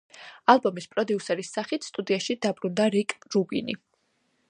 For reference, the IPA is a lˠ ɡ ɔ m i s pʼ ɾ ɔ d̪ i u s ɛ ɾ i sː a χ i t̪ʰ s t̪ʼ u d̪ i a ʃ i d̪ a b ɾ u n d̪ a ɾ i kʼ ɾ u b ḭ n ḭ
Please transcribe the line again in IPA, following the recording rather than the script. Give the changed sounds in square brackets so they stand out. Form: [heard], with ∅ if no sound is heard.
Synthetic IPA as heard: a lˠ [b] ɔ m i s pʼ ɾ ɔ d̪ i u s ɛ ɾ i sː a χ i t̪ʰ s t̪ʼ u d̪ i a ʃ i d̪ a b ɾ u n d̪ a ɾ i kʼ ɾ u b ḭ n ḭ